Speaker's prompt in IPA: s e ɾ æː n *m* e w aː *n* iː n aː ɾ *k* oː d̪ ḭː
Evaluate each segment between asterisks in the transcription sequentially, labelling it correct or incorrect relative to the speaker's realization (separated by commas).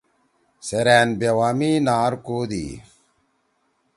incorrect, incorrect, correct